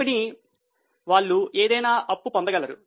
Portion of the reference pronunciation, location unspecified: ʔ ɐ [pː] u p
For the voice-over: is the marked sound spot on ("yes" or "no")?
yes